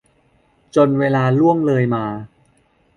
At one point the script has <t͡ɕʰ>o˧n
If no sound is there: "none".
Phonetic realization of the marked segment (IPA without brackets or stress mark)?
t͡ɕ